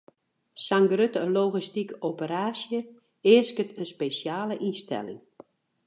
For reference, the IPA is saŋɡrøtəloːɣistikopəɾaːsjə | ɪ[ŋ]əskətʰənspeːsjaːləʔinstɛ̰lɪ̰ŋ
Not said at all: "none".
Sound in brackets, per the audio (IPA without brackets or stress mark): none